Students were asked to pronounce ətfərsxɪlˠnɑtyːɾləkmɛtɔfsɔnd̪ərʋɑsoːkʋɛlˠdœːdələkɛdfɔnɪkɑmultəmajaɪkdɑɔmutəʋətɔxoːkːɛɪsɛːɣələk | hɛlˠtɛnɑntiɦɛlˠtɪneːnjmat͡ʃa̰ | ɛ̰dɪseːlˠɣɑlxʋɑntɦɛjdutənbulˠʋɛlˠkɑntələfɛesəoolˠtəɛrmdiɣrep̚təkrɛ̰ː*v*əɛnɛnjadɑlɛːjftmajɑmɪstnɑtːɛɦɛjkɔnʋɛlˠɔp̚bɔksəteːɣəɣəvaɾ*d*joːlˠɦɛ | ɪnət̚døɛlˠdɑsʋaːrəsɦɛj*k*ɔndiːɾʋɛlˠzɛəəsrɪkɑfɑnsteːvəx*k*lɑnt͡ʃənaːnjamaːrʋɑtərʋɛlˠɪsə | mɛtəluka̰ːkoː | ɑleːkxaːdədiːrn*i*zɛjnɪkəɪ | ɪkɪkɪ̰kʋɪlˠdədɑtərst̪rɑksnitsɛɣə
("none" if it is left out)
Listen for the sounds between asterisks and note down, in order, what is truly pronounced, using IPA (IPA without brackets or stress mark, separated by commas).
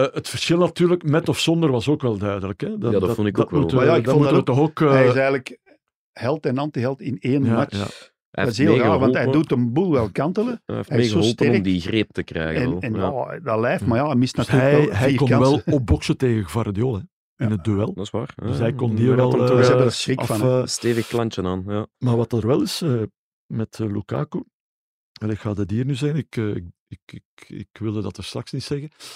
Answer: ɣ, d, k, k, y